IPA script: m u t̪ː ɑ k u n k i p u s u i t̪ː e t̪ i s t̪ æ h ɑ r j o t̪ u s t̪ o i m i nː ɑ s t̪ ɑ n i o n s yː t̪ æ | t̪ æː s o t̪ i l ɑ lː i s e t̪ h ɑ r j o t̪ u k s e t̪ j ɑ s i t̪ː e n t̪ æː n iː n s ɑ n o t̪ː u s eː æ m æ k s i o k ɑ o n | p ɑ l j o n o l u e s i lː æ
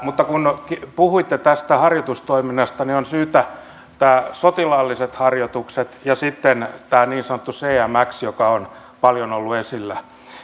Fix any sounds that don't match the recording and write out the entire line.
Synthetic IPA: m u t̪ː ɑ k u n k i p u h u i t̪ː e t̪ æ s t̪ æ h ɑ r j o t̪ u s t̪ o i m i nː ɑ s t̪ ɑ n i o n s yː t̪ æ | t̪ æː s o t̪ i l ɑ lː i s e t̪ h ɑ r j o t̪ u k s e t̪ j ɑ s i t̪ː e n t̪ æː n iː n s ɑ n o t̪ː u s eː æ m æ k s j o k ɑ o n | p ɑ l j o n o lː u e s i lː æ